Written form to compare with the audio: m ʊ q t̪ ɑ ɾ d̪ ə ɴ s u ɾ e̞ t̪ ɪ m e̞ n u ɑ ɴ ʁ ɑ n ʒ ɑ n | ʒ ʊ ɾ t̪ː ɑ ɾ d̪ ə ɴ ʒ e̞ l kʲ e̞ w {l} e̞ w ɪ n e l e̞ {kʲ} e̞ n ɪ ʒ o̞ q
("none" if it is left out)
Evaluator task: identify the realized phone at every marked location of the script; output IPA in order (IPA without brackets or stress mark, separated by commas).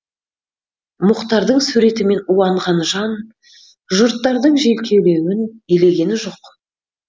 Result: l, ɡʲ